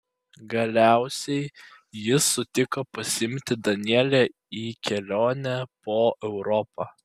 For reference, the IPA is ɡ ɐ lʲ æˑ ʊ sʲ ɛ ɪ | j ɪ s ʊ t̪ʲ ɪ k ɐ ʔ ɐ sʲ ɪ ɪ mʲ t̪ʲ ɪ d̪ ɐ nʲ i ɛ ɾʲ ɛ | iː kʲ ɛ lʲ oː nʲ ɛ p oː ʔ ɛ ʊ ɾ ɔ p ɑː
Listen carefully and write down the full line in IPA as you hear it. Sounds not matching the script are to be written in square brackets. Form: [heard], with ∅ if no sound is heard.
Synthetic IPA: ɡ ɐ lʲ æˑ ʊ sʲ ɛ ɪ | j ɪ s ʊ t̪ʲ ɪ k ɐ [p] ɐ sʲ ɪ ɪ mʲ t̪ʲ ɪ d̪ ɐ nʲ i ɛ [lʲ] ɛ | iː kʲ ɛ lʲ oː nʲ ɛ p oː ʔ ɛ ʊ ɾ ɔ p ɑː

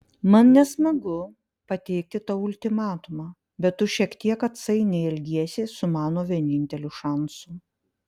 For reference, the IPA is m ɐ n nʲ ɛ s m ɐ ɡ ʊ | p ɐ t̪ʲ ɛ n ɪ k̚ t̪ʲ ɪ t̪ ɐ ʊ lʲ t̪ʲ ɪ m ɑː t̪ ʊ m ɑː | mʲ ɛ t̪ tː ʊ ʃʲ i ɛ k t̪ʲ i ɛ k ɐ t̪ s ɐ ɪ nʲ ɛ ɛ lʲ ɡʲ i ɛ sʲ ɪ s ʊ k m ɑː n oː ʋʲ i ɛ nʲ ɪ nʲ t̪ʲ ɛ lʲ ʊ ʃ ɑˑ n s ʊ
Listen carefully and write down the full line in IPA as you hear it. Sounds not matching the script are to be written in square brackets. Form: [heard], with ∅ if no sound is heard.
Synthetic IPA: m ɐ n nʲ ɛ s m ɐ ɡ ʊ | p ɐ t̪ʲ ɛ [∅] ɪ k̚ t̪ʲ ɪ t̪ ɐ ʊ lʲ t̪ʲ ɪ m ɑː t̪ ʊ m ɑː | [bʲ] ɛ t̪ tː ʊ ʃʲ i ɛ k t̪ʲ i ɛ k ɐ t̪ s ɐ ɪ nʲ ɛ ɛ lʲ ɡʲ i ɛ sʲ ɪ s ʊ [∅] m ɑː n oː ʋʲ i ɛ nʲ ɪ nʲ t̪ʲ ɛ lʲ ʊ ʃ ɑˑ n s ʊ

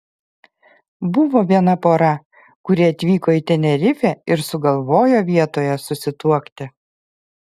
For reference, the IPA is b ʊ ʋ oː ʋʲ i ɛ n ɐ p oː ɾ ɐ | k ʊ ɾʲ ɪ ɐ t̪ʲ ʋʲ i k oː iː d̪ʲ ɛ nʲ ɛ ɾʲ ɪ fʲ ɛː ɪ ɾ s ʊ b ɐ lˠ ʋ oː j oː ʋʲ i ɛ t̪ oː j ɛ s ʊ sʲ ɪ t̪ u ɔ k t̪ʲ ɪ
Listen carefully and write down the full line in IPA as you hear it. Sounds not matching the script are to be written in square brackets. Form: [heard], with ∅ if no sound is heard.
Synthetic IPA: b ʊ ʋ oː ʋʲ i ɛ n ɐ p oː ɾ ɐ | k ʊ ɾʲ ɪ ɐ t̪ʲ ʋʲ [iː] k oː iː [t̪ʲ] ɛ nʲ ɛ ɾʲ ɪ fʲ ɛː ɪ ɾ s ʊ [ɡ] ɐ lˠ ʋ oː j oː ʋʲ i ɛ t̪ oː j ɛ s ʊ sʲ ɪ t̪ u ɔ k t̪ʲ ɪ

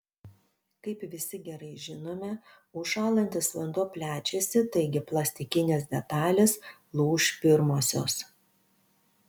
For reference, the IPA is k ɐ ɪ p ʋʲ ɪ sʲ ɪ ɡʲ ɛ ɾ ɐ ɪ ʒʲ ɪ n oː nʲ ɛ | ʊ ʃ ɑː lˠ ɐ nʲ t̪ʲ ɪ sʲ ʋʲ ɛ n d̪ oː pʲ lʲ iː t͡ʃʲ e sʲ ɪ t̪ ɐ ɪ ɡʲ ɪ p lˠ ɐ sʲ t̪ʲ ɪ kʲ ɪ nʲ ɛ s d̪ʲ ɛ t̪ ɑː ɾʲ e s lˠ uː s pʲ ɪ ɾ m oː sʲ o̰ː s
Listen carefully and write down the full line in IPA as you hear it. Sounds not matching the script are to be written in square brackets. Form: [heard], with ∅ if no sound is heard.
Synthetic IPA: k ɐ ɪ p ʋʲ ɪ sʲ ɪ ɡʲ ɛ ɾ ɐ ɪ ʒʲ ɪ n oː [mʲ] ɛ | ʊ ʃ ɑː lˠ ɐ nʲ t̪ʲ ɪ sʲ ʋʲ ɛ n d̪ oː pʲ lʲ [æː] t͡ʃʲ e sʲ ɪ t̪ ɐ ɪ ɡʲ ɪ p lˠ ɐ sʲ t̪ʲ ɪ kʲ ɪ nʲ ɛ s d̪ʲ ɛ t̪ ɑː [lʲ] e s lˠ uː [ʃ] pʲ ɪ ɾ m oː sʲ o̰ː s

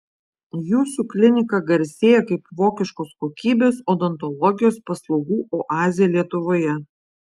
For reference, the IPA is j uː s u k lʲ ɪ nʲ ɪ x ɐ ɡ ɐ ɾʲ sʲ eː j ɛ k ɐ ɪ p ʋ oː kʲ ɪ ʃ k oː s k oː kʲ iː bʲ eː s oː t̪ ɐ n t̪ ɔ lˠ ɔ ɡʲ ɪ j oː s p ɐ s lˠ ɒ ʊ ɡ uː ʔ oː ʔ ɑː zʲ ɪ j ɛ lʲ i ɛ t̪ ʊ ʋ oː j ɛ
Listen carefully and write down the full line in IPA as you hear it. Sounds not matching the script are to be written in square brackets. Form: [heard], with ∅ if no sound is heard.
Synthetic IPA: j uː s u k lʲ ɪ nʲ ɪ [k] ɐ ɡ ɐ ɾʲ sʲ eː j ɛ k ɐ ɪ p ʋ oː kʲ ɪ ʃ k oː s k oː kʲ iː bʲ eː s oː [d̪] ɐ n t̪ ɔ lˠ ɔ ɡʲ ɪ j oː s p ɐ s lˠ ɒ ʊ ɡ uː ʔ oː ʔ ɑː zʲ ɪ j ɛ lʲ i ɛ t̪ ʊ ʋ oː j ɛ

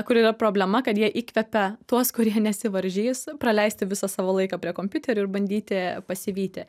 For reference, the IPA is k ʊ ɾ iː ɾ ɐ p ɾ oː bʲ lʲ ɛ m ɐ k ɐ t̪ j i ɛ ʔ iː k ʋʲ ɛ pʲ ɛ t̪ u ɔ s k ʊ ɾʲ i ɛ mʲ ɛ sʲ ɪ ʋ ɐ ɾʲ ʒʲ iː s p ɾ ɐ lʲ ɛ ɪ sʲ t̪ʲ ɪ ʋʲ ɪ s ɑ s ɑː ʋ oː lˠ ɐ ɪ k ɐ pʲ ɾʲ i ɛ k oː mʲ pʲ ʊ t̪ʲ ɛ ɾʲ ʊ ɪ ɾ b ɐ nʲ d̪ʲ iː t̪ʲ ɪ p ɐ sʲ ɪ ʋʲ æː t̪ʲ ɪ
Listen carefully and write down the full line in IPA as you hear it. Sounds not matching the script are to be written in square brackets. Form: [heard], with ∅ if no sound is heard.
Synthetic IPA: k ʊ ɾ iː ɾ ɐ p ɾ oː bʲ lʲ ɛ m ɐ k ɐ t̪ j i ɛ ʔ iː k ʋʲ ɛ pʲ ɛ t̪ u ɔ s k ʊ ɾʲ i ɛ [nʲ] ɛ sʲ ɪ ʋ ɐ ɾʲ ʒʲ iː s p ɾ ɐ lʲ ɛ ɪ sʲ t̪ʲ ɪ ʋʲ ɪ s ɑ s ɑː ʋ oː lˠ ɐ ɪ k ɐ pʲ ɾʲ i ɛ k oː mʲ pʲ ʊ t̪ʲ ɛ ɾʲ ʊ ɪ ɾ b ɐ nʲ d̪ʲ iː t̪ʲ ɪ p ɐ sʲ ɪ ʋʲ [iː] t̪ʲ ɪ

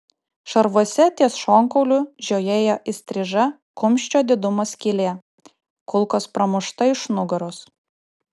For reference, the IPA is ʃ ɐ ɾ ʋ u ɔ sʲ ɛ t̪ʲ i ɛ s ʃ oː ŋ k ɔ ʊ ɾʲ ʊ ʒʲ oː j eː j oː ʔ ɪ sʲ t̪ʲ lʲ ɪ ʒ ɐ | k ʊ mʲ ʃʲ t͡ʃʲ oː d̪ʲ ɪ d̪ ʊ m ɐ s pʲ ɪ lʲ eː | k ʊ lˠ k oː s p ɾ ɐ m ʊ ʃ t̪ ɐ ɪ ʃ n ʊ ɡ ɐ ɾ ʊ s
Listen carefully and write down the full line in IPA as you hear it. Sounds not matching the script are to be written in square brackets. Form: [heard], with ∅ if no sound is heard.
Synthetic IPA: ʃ ɐ ɾ ʋ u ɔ sʲ ɛ t̪ʲ i ɛ s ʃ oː ŋ k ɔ ʊ [lʲ] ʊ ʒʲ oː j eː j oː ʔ ɪ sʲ t̪ʲ [ɾʲ] ɪ ʒ ɐ | k ʊ mʲ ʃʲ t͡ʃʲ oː d̪ʲ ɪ d̪ ʊ m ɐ s [kʲ] ɪ lʲ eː | k ʊ lˠ k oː s p ɾ ɐ m ʊ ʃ t̪ ɐ ɪ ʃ n ʊ ɡ ɐ ɾ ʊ s

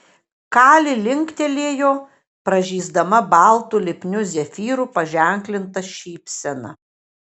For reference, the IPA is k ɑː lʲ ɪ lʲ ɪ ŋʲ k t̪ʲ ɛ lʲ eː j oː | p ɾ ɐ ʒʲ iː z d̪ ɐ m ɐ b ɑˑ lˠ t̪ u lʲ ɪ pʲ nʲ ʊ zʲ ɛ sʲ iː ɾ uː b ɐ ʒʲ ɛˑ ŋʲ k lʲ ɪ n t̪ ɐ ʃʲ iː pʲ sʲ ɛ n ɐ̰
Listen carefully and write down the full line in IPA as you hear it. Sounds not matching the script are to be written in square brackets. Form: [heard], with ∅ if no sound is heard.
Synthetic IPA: k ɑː lʲ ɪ lʲ ɪ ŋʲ k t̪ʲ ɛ lʲ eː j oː | p ɾ ɐ ʒʲ iː z d̪ ɐ m ɐ b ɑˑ lˠ t̪ u lʲ ɪ pʲ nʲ ʊ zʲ ɛ [fʲ] iː ɾ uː [p] ɐ ʒʲ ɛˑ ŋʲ k lʲ ɪ n t̪ ɐ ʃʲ iː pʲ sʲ ɛ n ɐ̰

